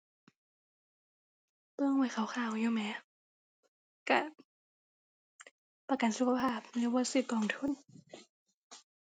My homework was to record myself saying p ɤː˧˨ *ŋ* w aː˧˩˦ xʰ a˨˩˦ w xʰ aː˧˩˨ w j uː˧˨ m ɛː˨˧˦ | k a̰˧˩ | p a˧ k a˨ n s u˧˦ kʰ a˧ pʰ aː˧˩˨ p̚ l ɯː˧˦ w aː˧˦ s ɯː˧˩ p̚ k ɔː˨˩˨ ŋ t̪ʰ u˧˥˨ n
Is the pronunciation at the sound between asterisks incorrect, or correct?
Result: correct